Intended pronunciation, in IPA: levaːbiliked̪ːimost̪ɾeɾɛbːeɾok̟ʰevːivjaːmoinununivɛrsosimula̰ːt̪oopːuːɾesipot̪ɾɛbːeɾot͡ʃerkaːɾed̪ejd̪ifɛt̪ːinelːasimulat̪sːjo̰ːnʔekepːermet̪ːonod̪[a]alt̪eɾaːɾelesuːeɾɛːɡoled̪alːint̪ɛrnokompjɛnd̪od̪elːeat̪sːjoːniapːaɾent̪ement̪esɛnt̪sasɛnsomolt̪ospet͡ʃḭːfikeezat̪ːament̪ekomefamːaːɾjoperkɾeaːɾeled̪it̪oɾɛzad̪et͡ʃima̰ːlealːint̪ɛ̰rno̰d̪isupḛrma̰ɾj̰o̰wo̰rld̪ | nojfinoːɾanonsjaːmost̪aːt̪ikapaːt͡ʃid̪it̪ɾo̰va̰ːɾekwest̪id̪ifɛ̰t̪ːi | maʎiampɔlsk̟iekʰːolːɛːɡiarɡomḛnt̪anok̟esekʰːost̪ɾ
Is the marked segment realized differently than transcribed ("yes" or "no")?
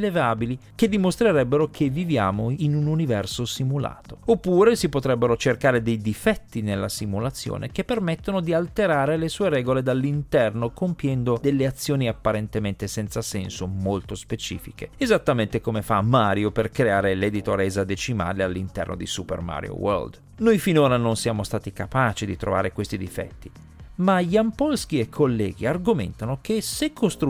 yes